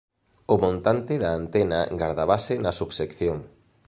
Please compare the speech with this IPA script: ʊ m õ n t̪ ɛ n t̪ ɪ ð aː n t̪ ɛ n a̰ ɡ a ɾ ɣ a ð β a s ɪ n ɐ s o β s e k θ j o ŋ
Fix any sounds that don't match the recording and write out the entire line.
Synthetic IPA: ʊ m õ n t̪ a n t̪ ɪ ð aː n t̪ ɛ n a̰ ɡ a ɾ ð a β a s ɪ n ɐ s u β s e k θ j o ŋ